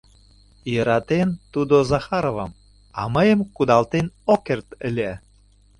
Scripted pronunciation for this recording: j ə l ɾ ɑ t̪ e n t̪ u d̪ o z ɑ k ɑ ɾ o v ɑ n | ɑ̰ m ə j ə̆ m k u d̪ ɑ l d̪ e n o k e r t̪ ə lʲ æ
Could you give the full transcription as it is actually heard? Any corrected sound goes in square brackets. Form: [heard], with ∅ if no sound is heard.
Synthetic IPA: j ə [∅] ɾ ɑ t̪ e n t̪ u d̪ o z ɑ [x] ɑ ɾ o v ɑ [m] | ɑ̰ m ə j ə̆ m k u d̪ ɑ l [t̪] e n o k e r t̪ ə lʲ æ